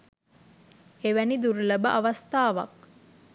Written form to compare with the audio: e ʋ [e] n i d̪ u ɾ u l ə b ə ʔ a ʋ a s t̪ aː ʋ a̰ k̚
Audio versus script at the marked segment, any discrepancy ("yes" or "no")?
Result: yes